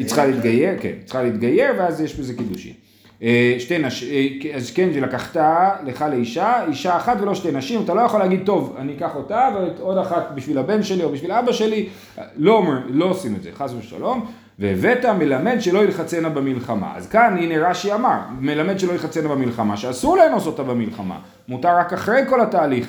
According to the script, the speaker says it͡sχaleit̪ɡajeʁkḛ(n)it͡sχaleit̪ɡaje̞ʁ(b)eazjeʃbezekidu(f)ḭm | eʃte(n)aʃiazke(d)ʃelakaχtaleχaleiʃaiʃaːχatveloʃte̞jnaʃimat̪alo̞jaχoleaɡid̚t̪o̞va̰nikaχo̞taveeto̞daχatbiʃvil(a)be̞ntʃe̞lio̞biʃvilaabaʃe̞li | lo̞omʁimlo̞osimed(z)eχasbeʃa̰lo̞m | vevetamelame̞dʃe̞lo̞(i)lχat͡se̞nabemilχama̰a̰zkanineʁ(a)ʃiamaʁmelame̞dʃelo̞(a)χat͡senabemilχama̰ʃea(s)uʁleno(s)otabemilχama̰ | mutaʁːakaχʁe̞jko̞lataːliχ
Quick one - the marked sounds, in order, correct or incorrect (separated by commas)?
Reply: correct, incorrect, incorrect, correct, incorrect, correct, correct, correct, correct, incorrect, correct, correct